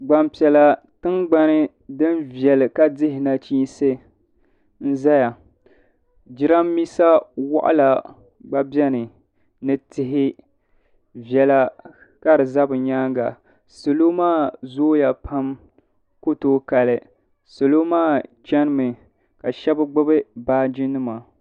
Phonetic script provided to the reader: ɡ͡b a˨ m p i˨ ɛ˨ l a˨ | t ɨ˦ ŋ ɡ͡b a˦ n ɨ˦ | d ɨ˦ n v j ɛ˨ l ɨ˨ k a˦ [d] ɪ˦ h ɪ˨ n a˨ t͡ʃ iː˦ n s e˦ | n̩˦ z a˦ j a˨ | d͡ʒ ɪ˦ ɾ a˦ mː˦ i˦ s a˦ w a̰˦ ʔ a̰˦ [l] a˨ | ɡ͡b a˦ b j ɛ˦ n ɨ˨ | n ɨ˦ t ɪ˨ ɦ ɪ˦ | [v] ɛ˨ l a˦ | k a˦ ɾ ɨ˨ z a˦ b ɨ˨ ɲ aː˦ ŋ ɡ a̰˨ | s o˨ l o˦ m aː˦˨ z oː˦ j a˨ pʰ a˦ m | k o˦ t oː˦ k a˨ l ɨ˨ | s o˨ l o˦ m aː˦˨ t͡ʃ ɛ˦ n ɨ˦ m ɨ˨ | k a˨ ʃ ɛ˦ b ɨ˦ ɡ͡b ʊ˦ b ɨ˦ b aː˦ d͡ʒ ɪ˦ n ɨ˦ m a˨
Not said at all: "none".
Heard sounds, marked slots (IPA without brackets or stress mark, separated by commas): d, l, v